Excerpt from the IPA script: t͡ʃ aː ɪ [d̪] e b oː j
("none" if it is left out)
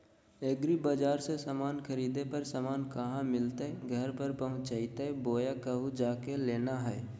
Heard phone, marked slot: t̪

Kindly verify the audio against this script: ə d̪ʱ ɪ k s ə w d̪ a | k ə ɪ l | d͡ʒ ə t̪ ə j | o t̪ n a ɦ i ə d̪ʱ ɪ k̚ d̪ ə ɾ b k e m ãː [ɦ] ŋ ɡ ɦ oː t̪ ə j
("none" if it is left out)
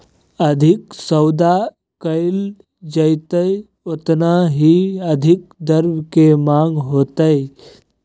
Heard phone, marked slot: none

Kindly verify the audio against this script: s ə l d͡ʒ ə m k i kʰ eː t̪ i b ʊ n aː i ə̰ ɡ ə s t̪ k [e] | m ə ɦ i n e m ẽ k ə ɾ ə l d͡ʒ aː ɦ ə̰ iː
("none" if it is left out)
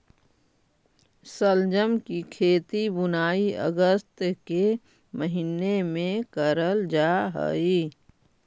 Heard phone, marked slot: e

